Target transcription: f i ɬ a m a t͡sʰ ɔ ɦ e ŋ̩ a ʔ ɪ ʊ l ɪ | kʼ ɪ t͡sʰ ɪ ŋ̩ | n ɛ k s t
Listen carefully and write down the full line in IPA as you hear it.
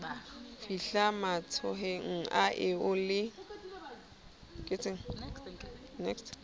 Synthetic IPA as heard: f i ɬ a m a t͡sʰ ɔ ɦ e ŋ̩ a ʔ ɪ ʊ l ɪ | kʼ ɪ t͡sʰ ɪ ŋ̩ | n ɛ k s t